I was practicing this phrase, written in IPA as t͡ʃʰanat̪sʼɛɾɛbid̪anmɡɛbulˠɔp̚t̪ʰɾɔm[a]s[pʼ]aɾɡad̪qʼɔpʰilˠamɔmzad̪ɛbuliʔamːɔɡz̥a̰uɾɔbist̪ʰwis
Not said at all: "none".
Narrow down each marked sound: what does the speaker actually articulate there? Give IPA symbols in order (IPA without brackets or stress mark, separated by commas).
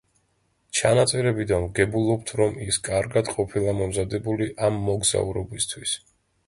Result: i, kʼ